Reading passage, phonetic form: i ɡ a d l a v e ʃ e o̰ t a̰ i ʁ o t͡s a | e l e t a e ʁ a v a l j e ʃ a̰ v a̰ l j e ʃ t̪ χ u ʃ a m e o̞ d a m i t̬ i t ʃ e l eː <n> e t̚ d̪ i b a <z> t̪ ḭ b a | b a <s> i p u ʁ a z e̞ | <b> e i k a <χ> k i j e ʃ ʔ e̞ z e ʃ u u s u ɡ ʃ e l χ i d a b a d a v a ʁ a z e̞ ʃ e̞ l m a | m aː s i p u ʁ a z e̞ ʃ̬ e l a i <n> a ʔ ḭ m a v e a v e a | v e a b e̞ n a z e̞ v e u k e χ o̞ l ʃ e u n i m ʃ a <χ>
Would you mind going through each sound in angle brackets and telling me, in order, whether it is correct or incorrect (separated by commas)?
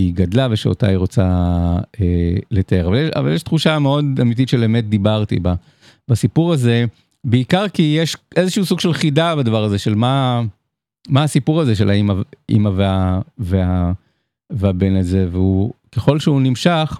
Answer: incorrect, incorrect, correct, correct, incorrect, incorrect, correct